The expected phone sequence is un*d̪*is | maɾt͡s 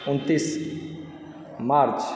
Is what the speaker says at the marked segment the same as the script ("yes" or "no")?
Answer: no